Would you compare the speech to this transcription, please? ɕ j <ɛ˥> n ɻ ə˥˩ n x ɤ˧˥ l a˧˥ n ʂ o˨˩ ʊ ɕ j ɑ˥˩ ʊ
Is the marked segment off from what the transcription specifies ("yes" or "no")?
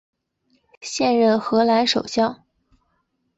yes